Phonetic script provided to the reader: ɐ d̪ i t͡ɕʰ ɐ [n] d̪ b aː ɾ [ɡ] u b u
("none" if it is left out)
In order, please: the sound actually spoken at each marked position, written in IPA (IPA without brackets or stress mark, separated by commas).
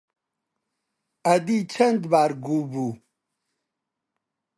n, ɡ